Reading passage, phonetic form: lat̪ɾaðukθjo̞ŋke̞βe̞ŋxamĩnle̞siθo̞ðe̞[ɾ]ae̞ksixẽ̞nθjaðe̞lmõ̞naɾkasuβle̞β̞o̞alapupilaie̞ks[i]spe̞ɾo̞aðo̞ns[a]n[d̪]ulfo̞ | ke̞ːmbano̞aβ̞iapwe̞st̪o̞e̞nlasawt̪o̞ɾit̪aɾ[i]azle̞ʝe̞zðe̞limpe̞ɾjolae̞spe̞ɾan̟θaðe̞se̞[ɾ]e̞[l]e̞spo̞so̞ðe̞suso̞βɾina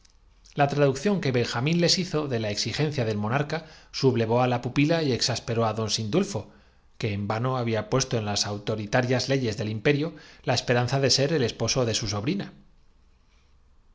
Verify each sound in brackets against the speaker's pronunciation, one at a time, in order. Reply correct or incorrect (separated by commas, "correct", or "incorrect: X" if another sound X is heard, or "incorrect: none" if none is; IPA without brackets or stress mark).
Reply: incorrect: l, incorrect: a, incorrect: i, correct, incorrect: j, correct, correct